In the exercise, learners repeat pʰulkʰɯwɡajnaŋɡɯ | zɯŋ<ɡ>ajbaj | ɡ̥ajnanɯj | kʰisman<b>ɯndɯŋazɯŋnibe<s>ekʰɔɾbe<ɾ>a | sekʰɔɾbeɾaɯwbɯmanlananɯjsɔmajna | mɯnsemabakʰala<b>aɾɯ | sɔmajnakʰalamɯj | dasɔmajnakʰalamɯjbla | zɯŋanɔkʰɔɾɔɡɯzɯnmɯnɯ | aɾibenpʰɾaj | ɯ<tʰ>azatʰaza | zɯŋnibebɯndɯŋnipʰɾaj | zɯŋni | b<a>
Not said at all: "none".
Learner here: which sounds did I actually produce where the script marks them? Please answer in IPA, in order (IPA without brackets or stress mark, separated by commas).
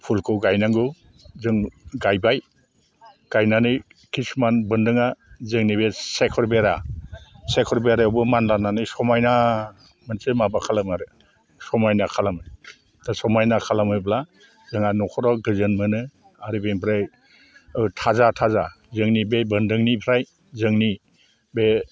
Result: ɡ, b, s, ɾ, m, tʰ, e